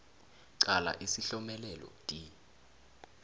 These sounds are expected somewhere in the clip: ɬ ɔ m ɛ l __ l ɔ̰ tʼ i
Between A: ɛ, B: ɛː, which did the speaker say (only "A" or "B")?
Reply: A